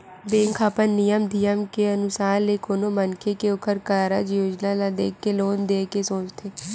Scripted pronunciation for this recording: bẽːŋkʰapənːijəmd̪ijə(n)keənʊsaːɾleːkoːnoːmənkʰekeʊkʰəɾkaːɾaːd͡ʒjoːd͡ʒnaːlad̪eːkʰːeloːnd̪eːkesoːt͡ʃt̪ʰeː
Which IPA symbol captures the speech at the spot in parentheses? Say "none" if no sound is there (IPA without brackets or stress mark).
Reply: m